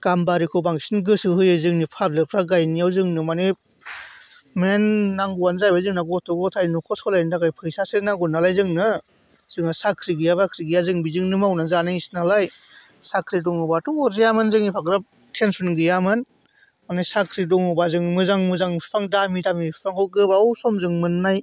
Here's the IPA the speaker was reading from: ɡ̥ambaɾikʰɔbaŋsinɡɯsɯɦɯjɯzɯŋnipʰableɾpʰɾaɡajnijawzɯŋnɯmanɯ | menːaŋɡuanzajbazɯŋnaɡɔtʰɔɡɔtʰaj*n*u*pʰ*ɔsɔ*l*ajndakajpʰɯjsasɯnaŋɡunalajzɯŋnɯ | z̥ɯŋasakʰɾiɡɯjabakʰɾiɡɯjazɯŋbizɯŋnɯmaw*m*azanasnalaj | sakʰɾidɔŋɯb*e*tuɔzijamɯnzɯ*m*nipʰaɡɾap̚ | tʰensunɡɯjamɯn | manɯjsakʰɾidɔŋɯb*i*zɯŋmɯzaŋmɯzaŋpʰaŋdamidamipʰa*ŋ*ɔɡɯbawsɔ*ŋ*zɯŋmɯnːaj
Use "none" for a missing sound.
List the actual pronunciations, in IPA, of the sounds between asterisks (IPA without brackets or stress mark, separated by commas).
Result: n, kʰ, l, n, a, ŋ, a, ŋ, m